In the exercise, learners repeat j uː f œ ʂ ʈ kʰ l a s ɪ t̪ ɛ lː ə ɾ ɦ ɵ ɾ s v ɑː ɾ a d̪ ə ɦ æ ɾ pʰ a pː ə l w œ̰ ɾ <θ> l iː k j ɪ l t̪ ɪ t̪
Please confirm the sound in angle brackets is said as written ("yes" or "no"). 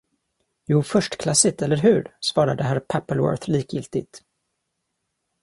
yes